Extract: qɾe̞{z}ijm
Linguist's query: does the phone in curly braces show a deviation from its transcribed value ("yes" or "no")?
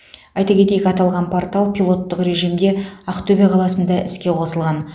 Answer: yes